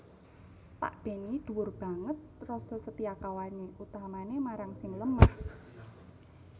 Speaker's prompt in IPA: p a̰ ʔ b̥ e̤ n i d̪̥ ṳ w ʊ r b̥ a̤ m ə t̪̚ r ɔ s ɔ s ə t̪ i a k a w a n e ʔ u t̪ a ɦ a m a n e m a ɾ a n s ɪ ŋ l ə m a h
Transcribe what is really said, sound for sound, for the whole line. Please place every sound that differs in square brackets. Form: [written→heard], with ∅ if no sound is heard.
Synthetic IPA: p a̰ ʔ b̥ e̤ n i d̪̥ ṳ w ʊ r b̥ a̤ [m→ŋ] ə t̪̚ r ɔ s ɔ s ə t̪ i a k a w a n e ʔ u t̪ a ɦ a m a n e m a ɾ a [n→ŋ] s ɪ ŋ l ə m a h